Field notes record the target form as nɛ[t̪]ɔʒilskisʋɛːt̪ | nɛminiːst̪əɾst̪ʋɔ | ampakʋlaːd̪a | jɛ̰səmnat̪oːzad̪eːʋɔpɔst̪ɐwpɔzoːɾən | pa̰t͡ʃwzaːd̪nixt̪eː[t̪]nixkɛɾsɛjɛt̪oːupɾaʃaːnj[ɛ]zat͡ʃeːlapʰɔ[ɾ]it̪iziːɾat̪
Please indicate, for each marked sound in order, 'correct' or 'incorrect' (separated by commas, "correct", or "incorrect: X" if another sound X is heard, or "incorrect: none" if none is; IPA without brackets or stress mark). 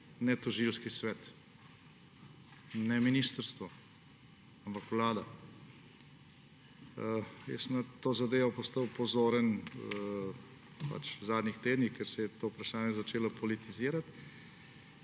correct, incorrect: d̪, correct, incorrect: l